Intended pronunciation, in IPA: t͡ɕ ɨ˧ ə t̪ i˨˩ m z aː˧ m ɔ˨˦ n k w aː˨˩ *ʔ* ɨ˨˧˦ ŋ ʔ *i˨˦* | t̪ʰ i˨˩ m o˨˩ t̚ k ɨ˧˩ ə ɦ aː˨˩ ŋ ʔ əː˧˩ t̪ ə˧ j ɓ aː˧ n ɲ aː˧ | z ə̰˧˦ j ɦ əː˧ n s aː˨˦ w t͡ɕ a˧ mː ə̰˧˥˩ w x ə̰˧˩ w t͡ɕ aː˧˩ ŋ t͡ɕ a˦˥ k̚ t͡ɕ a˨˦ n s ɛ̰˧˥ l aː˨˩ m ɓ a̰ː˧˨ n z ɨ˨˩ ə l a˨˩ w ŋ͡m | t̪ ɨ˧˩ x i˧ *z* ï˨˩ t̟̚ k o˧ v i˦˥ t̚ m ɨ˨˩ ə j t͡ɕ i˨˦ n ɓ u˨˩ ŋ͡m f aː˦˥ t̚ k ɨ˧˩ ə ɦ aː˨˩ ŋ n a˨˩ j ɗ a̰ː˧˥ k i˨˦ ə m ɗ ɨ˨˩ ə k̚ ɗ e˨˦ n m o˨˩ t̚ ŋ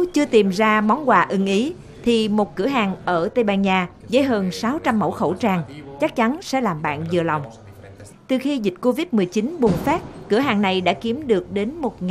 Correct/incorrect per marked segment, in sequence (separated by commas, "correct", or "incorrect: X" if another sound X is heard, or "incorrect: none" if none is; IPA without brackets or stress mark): correct, correct, correct